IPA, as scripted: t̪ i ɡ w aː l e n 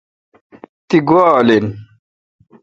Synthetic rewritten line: t̪ i ɡ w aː l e n